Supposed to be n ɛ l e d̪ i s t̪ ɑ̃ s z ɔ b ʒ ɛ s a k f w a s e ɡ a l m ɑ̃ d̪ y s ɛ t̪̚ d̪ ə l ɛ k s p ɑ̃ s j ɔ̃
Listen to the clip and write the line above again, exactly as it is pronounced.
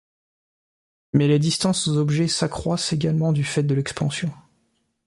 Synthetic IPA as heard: m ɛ l e d̪ i s t̪ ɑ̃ s z ɔ b ʒ ɛ s a k χ w a s e ɡ a l m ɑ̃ d̪ y f ɛ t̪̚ d̪ ə l ɛ k s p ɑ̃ s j ɔ̃